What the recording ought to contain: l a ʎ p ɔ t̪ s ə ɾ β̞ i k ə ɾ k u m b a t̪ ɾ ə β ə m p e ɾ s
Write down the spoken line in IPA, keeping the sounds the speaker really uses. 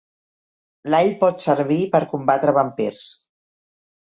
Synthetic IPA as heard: l a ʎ p ɔ t̪ s ə ɾ β̞ i p ə ɾ k u m b a t̪ ɾ ə β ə m p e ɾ s

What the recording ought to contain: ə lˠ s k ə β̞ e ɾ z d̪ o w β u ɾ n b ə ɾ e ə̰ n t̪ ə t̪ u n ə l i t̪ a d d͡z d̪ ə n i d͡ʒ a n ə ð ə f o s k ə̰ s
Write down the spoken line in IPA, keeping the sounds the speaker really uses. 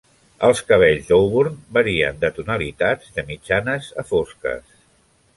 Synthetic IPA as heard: ə lˠ s k ə β̞ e ʎ z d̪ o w β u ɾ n b ə ɾ i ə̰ n d̪ ə t̪ u n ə l i t̪ a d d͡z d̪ ə m i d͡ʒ a n ə z ə f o s k ə̰ s

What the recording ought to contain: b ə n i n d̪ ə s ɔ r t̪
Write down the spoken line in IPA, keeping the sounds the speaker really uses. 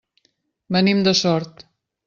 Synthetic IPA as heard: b ə n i m d̪ ə s ɔ ɾ t̪

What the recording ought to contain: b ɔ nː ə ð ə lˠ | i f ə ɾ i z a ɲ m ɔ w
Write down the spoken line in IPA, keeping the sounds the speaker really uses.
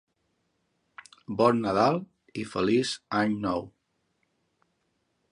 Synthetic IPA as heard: b ɔ nː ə ð a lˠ | i f ə l i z a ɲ n ɔ w

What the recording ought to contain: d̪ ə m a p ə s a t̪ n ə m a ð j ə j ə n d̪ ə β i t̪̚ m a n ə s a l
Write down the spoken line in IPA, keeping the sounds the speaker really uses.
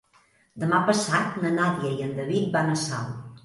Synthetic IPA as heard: d̪ ə m a p ə s a t̪ n ə n a ð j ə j ə n d̪ ə β i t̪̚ b a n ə s a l

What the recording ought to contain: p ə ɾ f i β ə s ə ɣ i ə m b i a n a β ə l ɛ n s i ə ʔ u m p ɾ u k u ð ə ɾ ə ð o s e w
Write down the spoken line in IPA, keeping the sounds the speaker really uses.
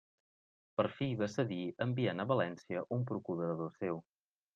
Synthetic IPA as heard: p ə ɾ f i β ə s ə ð i ə m b i a n ə β ə l ɛ n s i ə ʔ u m p ɾ u k u ð ə ɾ ə ð o s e w

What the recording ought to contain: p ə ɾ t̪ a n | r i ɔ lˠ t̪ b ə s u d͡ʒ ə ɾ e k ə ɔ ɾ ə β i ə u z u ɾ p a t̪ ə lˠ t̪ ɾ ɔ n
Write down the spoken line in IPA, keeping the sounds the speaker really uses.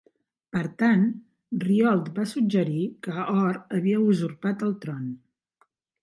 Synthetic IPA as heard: p ə ɾ t̪ a n | r i ɔ lˠ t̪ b a s u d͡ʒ ə ɾ i k ə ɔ ɾ ə β i ə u z u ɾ p a t̪ ə lˠ t̪ ɾ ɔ n

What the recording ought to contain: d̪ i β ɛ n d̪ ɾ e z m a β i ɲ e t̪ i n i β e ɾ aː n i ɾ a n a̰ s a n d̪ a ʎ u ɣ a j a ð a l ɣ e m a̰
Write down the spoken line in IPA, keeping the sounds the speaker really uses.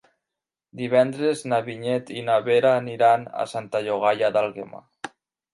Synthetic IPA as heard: d̪ i β ɛ n d̪ ɾ e z n a β i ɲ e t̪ i n a β e ɾ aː n i ɾ a n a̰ s a n t̪ a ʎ o ɣ a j a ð a l ɣ e m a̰

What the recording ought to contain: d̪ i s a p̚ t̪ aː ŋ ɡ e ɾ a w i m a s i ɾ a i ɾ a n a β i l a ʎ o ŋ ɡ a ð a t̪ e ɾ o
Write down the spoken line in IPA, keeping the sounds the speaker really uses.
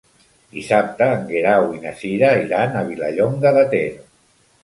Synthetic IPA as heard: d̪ i s a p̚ t̪ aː ŋ ɡ e ɾ a w i n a s i ɾ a i ɾ a n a β i l a ʎ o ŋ ɡ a ð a t̪ e ɾ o

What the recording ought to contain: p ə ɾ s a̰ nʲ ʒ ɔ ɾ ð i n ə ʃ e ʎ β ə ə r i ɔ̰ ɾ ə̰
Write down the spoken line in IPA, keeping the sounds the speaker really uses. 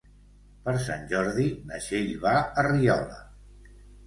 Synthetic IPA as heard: p ə ɾ s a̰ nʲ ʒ ɔ ɾ ð i n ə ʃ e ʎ β a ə r i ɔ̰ l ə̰

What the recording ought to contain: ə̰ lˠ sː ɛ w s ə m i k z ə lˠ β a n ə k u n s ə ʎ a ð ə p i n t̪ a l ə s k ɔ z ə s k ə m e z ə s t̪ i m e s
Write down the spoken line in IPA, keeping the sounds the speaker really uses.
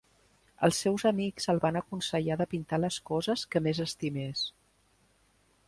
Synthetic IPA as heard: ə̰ lˠ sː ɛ w z ə m i k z ə lˠ β a n ə k u n s ə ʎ a ð ə p i n t̪ a l ə s k ɔ z ə s k ə m e z ə s t̪ i m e s

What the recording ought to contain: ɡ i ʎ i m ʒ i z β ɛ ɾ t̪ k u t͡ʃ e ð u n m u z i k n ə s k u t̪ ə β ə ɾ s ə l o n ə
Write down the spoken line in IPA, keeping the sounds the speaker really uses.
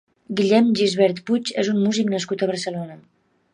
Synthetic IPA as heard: ɡ i ʎ ɛ m ʒ i z β ɛ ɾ t̪ p u t͡ʃ e z u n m u z i k n ə s k u t̪ ə β ə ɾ s ə l o n ə

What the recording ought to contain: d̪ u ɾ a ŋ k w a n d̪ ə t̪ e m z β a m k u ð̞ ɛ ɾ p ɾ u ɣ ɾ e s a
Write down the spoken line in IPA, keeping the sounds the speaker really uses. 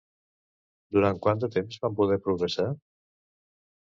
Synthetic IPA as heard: d̪ u ɾ a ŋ k w a n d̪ ə t̪ e m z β a m p u ð̞ ɛ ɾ p ɾ u ɣ ɾ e s a

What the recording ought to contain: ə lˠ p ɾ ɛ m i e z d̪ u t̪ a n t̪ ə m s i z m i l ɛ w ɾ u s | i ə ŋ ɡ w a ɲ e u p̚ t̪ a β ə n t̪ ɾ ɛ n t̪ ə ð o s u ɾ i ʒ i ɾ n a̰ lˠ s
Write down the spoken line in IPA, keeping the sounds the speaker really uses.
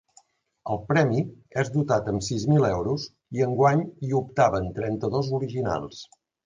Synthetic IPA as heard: ə lˠ p ɾ ɛ m i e z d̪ u t̪ a t̪ ə m s i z m i l ɛ w ɾ u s | i ə ŋ ɡ w a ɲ i u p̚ t̪ a β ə n t̪ ɾ ɛ n t̪ ə ð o z u ɾ i ʒ i n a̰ lˠ s

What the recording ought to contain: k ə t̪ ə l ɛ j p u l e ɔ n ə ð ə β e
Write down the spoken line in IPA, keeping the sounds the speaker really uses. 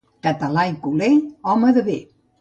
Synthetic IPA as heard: k ə t̪ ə l a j k u l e ɔ m ə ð ə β e

